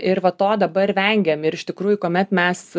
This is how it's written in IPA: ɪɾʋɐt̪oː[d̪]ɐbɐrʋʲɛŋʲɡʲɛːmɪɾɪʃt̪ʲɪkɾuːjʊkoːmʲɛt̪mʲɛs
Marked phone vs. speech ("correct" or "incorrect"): correct